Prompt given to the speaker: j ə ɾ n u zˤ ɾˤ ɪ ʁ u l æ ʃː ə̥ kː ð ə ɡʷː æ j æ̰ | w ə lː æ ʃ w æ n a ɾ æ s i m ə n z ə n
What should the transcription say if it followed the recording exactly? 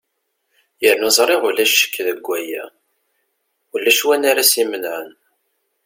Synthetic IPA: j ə ɾ n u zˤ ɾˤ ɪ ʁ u l æ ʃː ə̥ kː ð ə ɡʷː æ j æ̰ | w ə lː æ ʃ w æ n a ɾ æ s i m ə n ʕ ə n